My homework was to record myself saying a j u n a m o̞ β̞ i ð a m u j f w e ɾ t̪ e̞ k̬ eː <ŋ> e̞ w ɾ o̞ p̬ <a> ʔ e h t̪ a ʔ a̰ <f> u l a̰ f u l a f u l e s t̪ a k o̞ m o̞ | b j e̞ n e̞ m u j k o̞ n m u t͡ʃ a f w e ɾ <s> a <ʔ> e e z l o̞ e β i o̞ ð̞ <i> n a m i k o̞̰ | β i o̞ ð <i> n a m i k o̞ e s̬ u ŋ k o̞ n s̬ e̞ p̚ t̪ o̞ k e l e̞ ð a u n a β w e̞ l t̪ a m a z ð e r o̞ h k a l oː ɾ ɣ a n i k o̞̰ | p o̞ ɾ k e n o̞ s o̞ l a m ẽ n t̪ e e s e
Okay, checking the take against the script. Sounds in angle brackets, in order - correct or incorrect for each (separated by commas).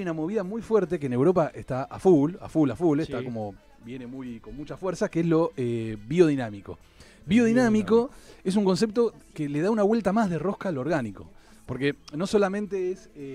incorrect, correct, correct, correct, incorrect, correct, correct